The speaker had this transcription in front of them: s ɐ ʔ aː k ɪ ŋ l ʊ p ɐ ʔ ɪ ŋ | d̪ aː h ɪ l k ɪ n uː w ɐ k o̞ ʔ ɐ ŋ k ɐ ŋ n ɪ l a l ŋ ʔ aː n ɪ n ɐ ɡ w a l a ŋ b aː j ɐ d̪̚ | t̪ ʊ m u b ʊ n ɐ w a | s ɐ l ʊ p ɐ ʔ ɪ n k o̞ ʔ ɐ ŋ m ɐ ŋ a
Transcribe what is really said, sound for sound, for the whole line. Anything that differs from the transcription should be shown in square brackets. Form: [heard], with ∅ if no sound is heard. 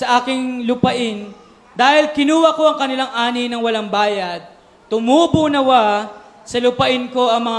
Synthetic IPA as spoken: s ɐ ʔ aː k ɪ ŋ l ʊ p ɐ ʔ ɪ [n] | d̪ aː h ɪ l k ɪ n uː w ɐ k o̞ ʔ ɐ ŋ k ɐ [∅] n ɪ l a [∅] ŋ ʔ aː n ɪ n ɐ [ŋ] w [ɐ] l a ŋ b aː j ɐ d̪̚ | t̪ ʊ m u b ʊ n ɐ w a | s ɐ l ʊ p ɐ ʔ ɪ n k o̞ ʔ ɐ ŋ m ɐ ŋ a